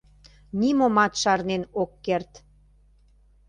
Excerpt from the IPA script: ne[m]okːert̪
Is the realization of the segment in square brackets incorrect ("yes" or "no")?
yes